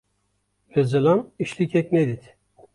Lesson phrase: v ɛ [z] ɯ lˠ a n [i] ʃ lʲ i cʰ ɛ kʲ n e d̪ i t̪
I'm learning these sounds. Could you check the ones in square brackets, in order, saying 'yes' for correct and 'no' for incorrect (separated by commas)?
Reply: yes, yes